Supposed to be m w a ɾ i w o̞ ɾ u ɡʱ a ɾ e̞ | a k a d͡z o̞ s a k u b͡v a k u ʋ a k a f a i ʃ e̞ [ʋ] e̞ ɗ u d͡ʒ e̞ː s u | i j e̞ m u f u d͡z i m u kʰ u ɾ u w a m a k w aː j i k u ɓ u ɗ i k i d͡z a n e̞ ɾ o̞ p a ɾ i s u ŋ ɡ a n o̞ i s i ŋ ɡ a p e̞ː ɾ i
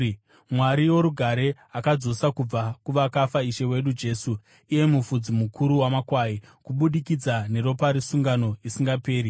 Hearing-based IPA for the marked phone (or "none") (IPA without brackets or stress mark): w